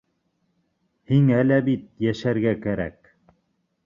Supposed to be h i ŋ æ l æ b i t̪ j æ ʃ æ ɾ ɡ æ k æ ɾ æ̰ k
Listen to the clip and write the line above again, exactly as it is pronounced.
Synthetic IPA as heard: h i ŋ æ l æ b i t̪ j æ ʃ æ ɾ ɡ æ k æ ɾ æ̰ k